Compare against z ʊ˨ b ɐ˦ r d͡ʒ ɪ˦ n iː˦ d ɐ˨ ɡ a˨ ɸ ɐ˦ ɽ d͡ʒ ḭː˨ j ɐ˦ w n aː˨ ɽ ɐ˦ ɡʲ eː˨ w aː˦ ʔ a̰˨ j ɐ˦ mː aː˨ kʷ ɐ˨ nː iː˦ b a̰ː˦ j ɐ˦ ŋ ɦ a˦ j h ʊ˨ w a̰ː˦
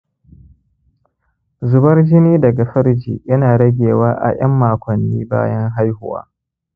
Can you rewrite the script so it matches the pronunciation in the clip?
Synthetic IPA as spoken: z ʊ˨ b ɐ˦ r d͡ʒ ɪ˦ n iː˦ d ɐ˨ ɡ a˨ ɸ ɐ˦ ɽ d͡ʒ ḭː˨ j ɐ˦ n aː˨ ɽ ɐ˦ ɡʲ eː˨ w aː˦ ʔ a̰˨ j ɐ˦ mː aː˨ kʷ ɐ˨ nː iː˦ b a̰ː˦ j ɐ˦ ŋ ɦ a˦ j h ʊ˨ w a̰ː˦